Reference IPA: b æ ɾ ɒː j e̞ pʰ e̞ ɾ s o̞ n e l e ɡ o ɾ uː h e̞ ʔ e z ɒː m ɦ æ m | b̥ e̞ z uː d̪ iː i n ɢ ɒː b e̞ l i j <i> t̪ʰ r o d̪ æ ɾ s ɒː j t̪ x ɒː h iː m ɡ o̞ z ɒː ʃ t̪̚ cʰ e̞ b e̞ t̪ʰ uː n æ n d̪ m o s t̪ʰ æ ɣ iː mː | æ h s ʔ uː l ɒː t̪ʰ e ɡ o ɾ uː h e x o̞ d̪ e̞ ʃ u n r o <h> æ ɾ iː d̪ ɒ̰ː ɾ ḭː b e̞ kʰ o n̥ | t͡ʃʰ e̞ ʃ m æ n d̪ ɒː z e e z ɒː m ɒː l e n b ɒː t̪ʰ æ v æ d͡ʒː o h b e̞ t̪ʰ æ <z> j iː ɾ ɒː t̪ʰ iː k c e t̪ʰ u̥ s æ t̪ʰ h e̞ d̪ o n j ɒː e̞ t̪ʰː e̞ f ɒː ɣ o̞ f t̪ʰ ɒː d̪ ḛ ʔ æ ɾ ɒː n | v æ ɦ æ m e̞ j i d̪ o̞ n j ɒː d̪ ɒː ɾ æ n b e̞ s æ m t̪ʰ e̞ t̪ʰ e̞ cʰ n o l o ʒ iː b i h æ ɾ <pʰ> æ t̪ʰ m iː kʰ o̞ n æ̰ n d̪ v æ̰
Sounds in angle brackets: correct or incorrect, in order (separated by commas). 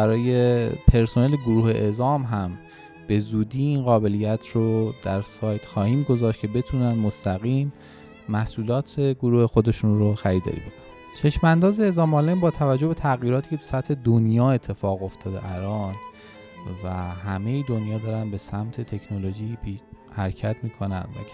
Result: incorrect, incorrect, incorrect, incorrect